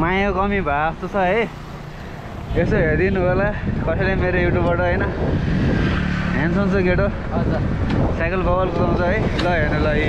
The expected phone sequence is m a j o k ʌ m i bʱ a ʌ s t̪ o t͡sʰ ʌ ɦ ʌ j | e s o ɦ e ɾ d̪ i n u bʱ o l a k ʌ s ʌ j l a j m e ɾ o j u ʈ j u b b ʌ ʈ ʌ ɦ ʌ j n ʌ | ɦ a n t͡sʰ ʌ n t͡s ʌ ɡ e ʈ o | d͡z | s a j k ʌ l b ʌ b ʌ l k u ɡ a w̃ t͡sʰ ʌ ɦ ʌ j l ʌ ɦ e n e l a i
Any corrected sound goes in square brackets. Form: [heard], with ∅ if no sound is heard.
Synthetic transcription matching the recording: m a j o k ʌ m i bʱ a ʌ s t̪ o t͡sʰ ʌ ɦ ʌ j | e s o ɦ e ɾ d̪ i n u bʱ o l a k ʌ s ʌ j l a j m e ɾ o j u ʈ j u b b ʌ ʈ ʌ ɦ ʌ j n ʌ | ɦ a n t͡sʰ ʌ n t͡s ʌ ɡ e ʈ o | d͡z | s a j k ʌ l b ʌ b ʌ l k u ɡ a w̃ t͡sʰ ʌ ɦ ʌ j l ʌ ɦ e n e l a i